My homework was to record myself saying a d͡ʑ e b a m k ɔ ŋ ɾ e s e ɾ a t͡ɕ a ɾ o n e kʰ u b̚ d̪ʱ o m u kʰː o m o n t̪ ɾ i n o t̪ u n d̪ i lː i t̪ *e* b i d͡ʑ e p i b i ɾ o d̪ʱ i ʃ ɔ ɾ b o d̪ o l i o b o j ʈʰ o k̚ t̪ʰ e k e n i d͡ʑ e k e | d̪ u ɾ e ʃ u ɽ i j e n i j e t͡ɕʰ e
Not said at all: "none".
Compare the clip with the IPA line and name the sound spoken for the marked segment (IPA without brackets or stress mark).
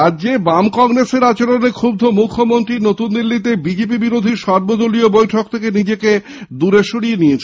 e